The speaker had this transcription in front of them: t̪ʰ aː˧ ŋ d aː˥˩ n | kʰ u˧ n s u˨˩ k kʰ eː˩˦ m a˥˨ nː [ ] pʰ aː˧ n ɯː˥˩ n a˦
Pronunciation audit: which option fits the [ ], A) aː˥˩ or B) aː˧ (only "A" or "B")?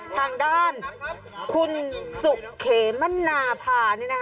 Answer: B